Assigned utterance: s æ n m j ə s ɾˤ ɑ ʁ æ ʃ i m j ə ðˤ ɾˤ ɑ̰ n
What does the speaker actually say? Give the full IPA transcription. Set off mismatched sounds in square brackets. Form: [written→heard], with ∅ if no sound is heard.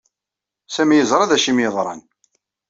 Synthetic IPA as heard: s æ [n→∅] m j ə [s→z] ɾˤ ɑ [ʁ→ð] æ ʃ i m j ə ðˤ ɾˤ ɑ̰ n